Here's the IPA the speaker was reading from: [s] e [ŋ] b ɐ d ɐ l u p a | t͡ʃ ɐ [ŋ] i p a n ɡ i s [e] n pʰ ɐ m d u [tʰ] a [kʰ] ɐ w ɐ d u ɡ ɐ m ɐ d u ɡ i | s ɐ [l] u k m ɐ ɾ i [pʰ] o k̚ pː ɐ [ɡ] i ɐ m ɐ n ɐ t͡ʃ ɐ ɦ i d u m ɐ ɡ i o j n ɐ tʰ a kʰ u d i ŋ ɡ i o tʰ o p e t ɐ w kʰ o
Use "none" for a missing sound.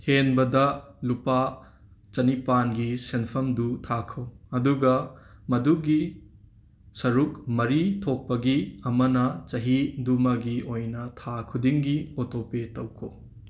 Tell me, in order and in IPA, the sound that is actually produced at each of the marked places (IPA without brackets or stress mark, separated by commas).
h, n, n, e, tʰ, kʰ, ɾ, tʰ, ɡ